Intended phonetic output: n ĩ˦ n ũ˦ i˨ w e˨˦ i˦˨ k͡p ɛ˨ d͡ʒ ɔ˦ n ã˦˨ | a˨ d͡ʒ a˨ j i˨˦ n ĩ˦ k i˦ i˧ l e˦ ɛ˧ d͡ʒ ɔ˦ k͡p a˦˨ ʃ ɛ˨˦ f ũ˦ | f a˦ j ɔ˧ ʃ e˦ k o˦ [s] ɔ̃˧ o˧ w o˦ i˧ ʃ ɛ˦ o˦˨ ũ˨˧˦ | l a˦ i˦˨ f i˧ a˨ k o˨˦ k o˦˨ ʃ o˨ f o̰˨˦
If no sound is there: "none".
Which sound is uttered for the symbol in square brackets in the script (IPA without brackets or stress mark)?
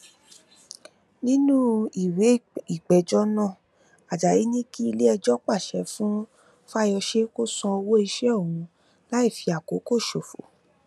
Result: s